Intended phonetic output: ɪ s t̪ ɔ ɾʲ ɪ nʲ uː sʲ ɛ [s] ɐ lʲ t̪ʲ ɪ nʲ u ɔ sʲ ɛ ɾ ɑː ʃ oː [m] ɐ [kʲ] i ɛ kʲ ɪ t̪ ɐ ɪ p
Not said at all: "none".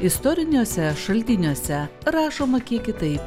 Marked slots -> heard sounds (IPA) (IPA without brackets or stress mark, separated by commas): ʃ, m, kʲ